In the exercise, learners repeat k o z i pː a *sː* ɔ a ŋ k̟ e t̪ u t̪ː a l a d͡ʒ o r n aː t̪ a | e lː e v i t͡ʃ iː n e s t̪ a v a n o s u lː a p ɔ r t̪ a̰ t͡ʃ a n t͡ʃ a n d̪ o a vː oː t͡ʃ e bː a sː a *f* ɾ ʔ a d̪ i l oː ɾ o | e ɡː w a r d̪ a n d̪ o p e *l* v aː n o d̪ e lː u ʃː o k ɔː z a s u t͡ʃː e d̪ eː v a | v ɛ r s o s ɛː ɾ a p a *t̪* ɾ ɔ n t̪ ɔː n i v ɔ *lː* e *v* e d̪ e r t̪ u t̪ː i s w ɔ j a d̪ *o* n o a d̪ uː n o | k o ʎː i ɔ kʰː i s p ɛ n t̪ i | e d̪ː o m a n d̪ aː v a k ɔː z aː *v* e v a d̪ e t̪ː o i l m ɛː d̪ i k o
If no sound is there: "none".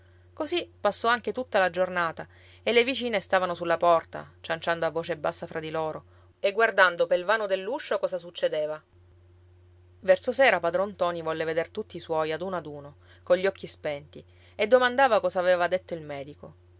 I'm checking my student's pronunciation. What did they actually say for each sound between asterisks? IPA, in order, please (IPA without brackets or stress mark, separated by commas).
sː, f, l, d̪, lː, v, u, v